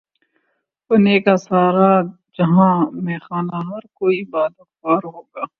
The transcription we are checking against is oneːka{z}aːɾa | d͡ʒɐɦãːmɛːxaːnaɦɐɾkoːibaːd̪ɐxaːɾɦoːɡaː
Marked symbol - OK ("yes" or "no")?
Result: no